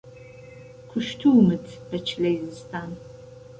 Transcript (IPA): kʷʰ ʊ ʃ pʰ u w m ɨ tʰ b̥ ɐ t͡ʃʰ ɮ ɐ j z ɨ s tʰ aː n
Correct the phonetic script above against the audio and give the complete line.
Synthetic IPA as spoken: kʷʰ ʊ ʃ tʰ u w m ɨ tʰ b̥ ɐ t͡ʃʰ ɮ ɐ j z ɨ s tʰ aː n